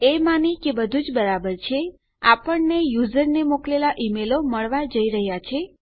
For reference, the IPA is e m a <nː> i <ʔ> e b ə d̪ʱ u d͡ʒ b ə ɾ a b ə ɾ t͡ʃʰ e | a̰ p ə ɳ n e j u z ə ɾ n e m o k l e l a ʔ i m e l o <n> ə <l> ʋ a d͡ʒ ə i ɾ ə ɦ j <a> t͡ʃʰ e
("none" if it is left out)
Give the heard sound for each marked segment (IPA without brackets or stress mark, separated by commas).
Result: n, k, m, ɭ, a